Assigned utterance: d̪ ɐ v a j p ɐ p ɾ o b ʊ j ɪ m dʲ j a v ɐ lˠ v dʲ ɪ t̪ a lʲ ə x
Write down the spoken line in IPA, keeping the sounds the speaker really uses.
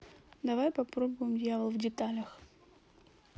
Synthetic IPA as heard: d̪ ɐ v a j p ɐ p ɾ o b ʊ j ɪ m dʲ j a v ə lˠ v dʲ ɪ t̪ a lʲ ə x